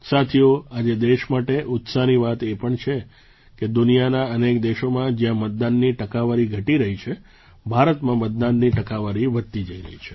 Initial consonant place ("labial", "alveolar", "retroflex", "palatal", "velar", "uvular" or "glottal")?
alveolar